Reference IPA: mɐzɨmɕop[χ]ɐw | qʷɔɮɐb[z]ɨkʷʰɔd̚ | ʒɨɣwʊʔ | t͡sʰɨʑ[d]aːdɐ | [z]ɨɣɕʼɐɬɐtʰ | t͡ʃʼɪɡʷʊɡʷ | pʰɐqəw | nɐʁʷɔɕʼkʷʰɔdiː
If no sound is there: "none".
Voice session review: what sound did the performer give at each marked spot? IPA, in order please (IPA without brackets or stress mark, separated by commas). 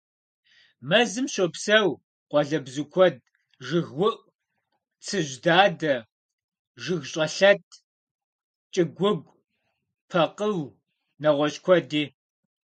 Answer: s, z, d, ʒ